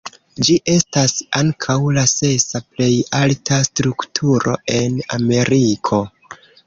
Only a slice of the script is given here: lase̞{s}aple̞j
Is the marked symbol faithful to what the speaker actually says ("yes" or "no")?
yes